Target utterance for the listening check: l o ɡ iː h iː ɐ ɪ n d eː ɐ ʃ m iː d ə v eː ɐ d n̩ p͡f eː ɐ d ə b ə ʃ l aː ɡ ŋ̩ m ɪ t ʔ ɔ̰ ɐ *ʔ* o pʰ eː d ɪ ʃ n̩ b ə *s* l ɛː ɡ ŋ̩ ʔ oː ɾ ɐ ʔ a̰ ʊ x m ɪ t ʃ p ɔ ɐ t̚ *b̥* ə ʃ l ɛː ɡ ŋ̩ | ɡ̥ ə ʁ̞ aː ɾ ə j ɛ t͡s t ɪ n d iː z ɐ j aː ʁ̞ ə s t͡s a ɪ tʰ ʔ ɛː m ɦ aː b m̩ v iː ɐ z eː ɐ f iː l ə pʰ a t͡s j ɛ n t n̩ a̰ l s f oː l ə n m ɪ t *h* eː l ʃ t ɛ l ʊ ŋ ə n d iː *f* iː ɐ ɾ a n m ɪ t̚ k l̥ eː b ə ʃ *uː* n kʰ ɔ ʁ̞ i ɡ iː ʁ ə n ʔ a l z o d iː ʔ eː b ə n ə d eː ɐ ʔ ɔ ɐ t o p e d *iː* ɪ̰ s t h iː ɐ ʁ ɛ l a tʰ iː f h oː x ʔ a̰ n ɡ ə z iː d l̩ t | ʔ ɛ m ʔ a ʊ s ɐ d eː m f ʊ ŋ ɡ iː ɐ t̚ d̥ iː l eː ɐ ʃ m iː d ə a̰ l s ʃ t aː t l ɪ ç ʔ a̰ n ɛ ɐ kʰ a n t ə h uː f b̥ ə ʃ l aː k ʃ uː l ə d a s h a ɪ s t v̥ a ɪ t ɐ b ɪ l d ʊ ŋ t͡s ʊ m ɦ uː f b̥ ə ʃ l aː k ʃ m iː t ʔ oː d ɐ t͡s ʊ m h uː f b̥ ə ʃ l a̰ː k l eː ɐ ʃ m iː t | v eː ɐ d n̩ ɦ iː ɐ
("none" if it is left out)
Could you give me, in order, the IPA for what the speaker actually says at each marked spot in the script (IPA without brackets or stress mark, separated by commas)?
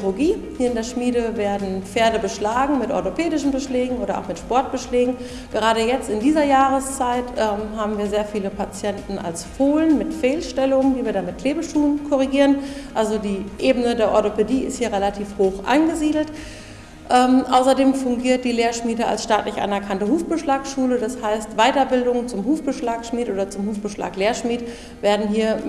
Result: t, ʃ, b̥, f, v, uː, iː